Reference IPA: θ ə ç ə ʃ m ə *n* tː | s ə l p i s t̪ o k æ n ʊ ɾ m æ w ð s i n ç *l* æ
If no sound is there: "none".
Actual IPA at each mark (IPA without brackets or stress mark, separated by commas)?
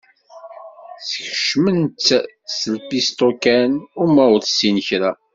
n, ɾ